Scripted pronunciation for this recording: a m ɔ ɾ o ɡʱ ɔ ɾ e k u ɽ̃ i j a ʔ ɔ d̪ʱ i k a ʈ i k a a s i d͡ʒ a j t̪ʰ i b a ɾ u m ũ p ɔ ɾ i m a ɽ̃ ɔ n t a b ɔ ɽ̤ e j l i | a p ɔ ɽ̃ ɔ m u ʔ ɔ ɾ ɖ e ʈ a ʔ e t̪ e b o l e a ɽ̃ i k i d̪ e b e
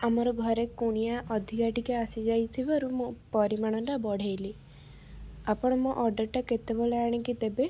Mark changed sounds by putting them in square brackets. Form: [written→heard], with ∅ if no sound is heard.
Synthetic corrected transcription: a m ɔ ɾ [o→ɔ] ɡʱ ɔ ɾ e k u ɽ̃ i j a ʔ ɔ d̪ʱ i k a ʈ i k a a s i d͡ʒ a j t̪ʰ i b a ɾ u m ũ p ɔ ɾ i m a ɽ̃ ɔ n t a b ɔ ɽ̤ e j l i | a p ɔ ɽ̃ ɔ m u ʔ ɔ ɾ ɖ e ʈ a [ʔ→k] e t̪ e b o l e a ɽ̃ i k i [d̪→t̪] e b e